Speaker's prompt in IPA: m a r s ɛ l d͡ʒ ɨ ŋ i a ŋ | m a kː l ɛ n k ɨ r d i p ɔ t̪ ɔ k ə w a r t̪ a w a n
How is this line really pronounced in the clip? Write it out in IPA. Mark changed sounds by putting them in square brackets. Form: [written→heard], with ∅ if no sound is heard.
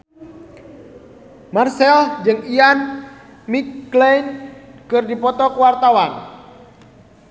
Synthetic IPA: m a r s ɛ l d͡ʒ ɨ ŋ i a [ŋ→n] | m [a→i] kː l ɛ n k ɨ r d i p ɔ t̪ ɔ k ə w a r t̪ a w a n